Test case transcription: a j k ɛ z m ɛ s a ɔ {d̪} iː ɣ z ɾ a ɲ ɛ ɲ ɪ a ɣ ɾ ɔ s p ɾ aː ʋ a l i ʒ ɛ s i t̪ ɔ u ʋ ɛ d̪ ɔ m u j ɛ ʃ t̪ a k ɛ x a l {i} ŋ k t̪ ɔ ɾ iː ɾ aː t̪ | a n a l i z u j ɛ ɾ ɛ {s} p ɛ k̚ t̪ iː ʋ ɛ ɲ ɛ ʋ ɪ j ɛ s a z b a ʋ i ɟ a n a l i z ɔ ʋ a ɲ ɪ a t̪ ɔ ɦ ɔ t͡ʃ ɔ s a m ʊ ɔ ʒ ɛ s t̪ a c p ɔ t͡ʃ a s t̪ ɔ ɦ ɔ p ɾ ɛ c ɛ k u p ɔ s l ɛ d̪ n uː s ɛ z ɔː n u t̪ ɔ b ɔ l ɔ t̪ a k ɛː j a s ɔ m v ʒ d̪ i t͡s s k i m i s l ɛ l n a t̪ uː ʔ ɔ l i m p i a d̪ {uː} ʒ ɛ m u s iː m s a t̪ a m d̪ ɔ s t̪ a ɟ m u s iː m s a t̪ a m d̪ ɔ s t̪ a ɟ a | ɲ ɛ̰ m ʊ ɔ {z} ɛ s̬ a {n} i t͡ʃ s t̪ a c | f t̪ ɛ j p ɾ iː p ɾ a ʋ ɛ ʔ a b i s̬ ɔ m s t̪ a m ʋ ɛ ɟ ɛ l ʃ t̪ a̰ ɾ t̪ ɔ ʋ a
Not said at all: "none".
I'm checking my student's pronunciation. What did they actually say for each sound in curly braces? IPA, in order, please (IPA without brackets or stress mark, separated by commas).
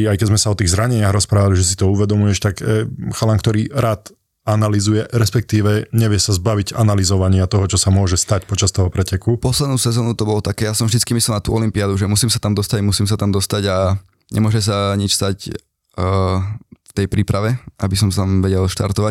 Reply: t̪, a, s, u, ʒ, ɲ